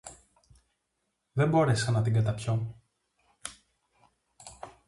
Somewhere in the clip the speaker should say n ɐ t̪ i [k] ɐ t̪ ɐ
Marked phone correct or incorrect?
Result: incorrect